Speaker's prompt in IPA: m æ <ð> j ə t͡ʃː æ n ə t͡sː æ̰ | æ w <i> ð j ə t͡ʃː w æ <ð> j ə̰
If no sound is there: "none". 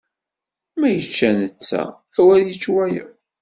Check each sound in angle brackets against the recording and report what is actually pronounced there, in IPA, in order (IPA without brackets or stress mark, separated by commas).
none, æ, none